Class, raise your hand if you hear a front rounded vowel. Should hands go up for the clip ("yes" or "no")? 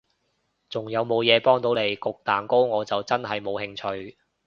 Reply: no